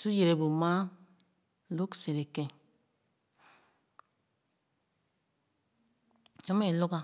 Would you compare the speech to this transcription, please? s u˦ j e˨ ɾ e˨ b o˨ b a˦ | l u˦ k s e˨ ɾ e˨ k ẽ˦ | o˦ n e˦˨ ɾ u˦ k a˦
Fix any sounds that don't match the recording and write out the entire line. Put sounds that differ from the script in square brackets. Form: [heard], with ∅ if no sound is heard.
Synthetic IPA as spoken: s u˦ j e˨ ɾ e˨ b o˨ [m] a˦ | l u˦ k s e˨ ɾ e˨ k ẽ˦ | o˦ [m] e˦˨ [l] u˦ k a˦